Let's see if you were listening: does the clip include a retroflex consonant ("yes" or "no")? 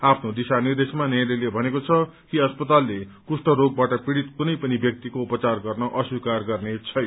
yes